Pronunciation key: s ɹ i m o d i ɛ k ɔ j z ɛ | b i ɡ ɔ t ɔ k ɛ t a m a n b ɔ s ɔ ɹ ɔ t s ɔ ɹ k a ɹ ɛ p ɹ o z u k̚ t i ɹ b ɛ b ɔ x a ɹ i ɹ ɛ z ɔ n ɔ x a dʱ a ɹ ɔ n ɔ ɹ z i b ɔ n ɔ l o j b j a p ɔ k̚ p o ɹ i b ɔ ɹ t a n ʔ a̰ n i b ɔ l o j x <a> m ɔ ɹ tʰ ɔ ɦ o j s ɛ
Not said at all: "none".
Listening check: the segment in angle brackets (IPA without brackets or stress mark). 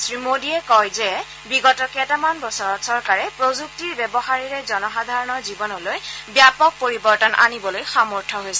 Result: a